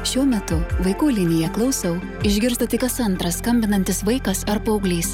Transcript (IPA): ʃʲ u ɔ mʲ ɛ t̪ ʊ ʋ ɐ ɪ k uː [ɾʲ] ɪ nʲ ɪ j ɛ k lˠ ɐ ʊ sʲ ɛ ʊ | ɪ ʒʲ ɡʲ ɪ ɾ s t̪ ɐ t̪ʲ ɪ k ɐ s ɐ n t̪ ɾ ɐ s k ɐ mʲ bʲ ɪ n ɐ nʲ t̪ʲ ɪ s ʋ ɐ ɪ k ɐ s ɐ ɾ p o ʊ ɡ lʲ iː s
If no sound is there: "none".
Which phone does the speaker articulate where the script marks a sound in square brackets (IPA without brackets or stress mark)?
lʲ